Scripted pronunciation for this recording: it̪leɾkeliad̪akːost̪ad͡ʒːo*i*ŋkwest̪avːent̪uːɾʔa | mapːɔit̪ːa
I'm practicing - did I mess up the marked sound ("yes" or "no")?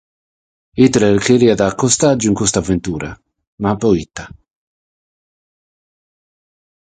no